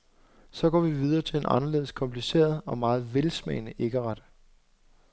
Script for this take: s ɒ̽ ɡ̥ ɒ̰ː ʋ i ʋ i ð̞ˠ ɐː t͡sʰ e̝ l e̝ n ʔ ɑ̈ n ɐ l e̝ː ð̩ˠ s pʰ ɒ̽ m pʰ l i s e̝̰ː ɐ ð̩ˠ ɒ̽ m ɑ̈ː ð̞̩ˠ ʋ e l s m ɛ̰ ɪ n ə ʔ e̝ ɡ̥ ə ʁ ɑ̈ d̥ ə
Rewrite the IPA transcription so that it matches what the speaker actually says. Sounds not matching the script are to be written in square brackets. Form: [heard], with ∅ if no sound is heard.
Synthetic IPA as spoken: s ɒ̽ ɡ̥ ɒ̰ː ʋ i ʋ i ð̞ˠ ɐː t͡sʰ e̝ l e̝ n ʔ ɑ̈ n ɐ l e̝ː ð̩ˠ s [kʰ] ɒ̽ m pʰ l i s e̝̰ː ɐ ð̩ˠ ɒ̽ m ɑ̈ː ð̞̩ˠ ʋ e l s m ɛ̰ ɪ n ə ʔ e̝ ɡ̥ ə ʁ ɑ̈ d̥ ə